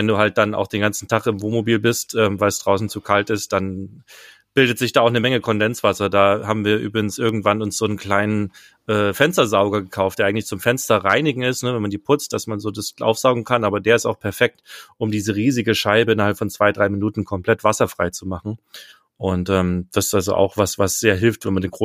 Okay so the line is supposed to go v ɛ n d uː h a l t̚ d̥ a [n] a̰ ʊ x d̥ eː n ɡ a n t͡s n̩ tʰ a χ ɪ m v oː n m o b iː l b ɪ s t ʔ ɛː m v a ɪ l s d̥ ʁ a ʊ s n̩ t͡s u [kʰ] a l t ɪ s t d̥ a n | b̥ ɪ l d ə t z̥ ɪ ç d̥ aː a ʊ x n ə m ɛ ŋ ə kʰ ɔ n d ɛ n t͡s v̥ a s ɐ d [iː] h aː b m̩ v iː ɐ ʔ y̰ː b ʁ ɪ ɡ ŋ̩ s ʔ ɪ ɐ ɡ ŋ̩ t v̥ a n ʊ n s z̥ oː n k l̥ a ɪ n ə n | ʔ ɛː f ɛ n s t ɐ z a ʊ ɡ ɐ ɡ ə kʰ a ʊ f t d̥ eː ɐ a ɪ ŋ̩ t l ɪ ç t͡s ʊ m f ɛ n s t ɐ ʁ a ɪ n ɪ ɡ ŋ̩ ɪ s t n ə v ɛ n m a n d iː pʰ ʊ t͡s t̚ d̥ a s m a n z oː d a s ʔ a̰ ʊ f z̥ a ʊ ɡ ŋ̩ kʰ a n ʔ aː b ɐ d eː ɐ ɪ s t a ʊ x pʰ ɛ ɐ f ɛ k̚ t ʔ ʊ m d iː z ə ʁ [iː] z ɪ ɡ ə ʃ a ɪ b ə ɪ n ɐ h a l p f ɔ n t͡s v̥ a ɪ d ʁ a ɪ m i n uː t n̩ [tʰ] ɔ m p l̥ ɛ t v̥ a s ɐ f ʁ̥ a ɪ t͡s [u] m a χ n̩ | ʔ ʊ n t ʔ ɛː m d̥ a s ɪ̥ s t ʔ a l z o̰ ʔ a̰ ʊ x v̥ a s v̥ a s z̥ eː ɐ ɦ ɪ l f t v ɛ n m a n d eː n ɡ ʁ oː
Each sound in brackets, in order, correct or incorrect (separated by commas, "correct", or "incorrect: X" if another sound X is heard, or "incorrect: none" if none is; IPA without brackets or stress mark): correct, correct, incorrect: aː, correct, incorrect: kʰ, correct